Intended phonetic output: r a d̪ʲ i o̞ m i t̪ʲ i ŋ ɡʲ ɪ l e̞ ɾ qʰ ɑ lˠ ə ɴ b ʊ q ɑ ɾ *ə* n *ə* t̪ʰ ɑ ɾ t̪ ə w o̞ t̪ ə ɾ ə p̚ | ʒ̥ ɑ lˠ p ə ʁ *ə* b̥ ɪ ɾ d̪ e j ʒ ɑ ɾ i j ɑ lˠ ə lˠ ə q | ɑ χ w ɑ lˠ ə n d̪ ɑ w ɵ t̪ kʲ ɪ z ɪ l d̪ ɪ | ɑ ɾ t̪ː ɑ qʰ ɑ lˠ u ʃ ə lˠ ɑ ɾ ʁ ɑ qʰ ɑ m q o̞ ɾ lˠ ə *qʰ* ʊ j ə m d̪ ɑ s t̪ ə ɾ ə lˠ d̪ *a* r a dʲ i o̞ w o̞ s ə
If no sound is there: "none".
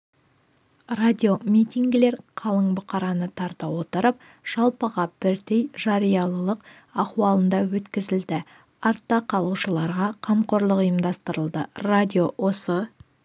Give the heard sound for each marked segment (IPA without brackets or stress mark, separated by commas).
ɑ, ə, ɑ, q, ə